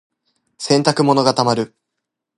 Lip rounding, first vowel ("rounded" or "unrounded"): unrounded